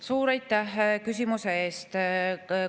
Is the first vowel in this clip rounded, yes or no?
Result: yes